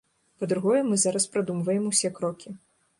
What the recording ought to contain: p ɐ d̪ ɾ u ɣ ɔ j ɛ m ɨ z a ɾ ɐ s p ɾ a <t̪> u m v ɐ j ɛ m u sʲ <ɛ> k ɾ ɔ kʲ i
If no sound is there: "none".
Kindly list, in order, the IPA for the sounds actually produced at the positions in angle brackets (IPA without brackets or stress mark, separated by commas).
d̪, ɛ